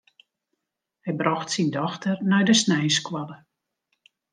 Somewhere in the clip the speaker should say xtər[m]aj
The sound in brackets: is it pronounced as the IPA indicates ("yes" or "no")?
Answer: no